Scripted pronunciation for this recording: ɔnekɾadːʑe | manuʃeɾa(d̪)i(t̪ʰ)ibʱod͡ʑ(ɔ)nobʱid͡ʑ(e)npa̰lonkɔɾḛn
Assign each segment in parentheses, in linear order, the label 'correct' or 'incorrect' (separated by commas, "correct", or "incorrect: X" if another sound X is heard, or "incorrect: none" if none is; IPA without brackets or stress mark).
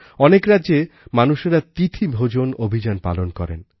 incorrect: t̪, correct, incorrect: o, incorrect: a